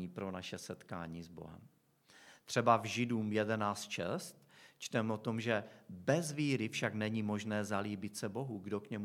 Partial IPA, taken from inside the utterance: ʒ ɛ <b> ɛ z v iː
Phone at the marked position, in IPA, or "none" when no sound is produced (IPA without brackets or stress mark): b